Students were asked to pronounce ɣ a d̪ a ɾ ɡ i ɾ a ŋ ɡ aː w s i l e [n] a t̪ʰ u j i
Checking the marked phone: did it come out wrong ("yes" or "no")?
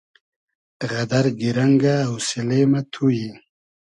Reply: yes